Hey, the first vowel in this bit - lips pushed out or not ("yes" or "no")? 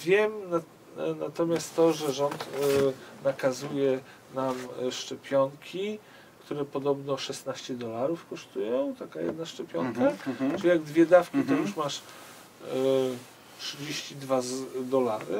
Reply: no